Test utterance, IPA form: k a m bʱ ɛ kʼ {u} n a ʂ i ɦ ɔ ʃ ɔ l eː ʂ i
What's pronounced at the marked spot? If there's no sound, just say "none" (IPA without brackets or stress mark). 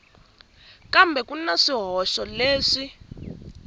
u